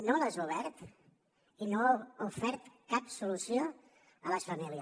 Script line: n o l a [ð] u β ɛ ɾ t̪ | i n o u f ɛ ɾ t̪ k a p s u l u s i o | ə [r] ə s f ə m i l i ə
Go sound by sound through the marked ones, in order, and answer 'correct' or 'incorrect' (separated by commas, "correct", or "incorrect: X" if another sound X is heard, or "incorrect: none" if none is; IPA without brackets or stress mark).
incorrect: z, incorrect: l